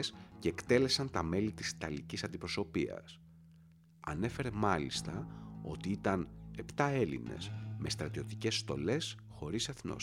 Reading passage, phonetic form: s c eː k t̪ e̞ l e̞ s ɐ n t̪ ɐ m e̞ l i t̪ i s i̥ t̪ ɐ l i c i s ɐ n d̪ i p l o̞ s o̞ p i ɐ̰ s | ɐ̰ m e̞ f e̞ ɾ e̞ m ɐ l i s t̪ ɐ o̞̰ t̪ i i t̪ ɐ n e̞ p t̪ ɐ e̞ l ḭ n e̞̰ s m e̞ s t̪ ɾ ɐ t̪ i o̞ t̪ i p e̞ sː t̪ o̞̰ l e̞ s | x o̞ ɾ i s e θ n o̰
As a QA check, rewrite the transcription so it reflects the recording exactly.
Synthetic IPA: s c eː k t̪ e̞ l e̞ s ɐ n t̪ ɐ m e̞ l i t̪ i s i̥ t̪ ɐ l i c i s ɐ n d̪ i p ɾ o̞ s o̞ p i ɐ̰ s | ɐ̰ n e̞ f e̞ ɾ e̞ m ɐ l i s t̪ ɐ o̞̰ t̪ i i t̪ ɐ n e̞ p t̪ ɐ e̞ l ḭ n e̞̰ s m e̞ s t̪ ɾ ɐ t̪ i o̞ t̪ i c e̞ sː t̪ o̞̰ l e̞ s | x o̞ ɾ i s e θ n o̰